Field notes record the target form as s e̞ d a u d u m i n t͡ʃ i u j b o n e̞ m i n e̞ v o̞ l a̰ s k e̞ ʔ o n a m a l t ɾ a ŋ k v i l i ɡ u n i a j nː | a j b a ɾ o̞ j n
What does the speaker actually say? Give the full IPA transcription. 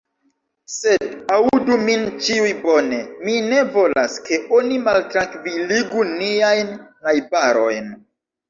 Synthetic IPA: s e̞ d a u d u m i n t͡ʃ i u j b o n e̞ m i n e̞ v o̞ l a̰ s k e̞ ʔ o n i m a l t ɾ a ŋ k v i l i ɡ u n i a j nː | a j b a ɾ o̞ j n